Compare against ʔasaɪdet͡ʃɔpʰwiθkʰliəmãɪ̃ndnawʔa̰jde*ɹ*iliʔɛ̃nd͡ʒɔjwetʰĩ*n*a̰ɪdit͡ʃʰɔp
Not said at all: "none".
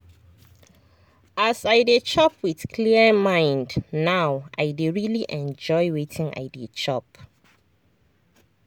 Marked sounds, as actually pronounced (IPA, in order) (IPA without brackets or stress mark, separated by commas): ɹ, ŋ